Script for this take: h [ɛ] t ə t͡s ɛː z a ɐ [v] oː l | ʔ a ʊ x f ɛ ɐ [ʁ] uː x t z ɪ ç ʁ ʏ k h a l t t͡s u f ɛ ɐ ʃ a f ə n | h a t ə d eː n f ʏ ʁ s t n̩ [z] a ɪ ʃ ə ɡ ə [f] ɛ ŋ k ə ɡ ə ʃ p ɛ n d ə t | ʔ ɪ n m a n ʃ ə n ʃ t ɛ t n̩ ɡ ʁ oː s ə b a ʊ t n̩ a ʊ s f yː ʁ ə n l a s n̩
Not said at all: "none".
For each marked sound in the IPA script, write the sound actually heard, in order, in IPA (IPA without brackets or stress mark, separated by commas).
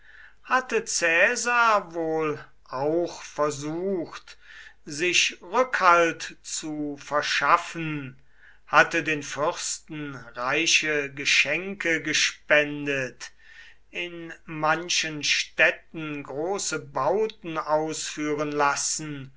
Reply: a, v, z, ʁ, ʃ